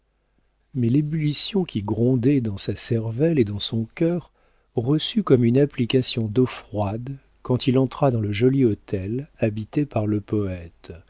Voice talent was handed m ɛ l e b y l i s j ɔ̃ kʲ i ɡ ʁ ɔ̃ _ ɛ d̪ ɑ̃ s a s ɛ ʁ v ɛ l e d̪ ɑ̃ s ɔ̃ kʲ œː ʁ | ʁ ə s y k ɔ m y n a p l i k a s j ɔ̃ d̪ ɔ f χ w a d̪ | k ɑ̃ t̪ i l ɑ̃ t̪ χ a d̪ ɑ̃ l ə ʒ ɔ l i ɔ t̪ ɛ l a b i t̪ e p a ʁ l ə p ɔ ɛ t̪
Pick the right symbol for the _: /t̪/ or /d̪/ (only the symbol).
d̪